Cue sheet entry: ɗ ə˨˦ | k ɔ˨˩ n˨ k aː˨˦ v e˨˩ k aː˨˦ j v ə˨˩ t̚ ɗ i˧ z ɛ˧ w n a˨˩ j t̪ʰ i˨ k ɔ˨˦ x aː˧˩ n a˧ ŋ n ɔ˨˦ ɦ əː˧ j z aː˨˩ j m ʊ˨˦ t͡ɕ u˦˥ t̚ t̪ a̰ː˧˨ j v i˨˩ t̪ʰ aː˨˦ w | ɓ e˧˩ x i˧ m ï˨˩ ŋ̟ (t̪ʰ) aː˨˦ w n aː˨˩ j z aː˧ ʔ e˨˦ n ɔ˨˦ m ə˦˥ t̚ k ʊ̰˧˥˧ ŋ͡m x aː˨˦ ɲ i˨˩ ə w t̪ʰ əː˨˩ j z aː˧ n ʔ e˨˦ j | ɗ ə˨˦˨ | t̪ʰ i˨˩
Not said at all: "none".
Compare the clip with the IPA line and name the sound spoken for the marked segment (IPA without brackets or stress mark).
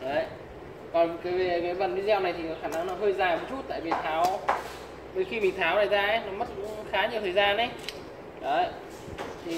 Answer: t̪ʰ